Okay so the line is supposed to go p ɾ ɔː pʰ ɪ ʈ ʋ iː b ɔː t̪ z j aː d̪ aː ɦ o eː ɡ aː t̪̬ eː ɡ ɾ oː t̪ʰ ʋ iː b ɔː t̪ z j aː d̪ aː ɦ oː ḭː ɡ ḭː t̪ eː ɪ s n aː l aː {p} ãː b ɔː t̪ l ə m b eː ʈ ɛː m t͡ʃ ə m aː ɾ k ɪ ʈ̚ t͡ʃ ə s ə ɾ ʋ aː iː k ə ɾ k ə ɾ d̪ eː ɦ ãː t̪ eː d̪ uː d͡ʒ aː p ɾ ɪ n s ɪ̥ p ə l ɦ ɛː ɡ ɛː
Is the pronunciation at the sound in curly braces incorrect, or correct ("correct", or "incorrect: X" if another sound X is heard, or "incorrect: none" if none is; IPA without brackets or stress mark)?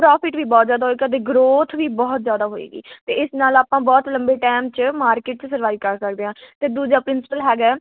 correct